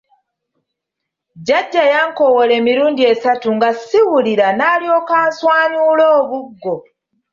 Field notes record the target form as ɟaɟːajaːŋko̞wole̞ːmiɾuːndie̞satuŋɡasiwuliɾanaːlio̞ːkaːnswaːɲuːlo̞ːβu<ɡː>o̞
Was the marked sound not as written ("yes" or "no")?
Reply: no